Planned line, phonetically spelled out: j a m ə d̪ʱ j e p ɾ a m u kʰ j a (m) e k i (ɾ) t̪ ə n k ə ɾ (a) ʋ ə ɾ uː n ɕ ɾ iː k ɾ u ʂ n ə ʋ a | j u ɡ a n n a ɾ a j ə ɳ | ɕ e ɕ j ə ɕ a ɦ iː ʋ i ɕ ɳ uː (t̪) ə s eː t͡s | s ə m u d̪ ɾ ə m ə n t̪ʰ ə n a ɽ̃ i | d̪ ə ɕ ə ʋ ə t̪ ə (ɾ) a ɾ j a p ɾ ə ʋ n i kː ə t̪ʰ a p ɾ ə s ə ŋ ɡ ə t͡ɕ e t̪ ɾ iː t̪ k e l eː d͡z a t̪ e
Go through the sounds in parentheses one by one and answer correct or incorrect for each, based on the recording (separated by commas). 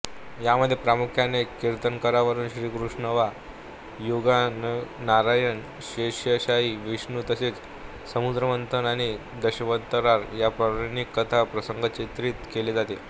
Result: incorrect, correct, correct, correct, correct